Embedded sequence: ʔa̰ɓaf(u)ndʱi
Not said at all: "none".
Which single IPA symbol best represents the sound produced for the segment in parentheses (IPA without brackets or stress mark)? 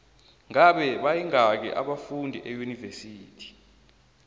u